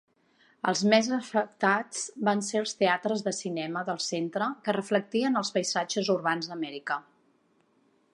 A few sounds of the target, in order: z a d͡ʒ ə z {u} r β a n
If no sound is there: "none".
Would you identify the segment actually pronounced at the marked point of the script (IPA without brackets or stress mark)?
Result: u